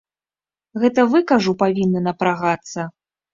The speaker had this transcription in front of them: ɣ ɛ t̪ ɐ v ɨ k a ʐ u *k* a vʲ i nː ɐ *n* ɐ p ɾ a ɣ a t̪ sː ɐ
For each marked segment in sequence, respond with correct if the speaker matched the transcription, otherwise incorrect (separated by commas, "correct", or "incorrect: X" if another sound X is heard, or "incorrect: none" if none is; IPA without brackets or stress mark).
incorrect: p, correct